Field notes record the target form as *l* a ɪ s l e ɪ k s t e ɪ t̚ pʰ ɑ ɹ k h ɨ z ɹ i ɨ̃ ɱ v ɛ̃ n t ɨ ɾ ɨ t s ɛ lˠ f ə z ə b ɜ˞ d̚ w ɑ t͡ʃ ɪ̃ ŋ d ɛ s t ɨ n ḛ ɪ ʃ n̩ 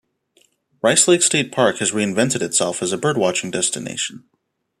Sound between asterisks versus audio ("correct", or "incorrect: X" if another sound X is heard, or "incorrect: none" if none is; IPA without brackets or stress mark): incorrect: ɹ